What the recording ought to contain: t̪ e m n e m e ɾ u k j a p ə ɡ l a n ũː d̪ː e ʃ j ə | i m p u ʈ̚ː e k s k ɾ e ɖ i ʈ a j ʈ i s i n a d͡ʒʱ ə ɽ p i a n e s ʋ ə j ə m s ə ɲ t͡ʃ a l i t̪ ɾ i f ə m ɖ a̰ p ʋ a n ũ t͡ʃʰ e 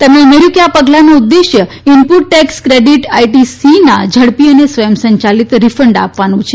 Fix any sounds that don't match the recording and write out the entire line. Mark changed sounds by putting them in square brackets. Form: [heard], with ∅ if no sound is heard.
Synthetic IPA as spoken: t̪ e m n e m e ɾ u k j a p ə ɡ l a n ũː d̪ː e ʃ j ə | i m p u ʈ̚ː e k s k ɾ e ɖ i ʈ a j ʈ i s i n a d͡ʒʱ ə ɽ p i [ə] n e s ʋ ə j ə m s ə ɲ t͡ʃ a l i t̪ ɾ i f ə [ɳ] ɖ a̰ p ʋ a n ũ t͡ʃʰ e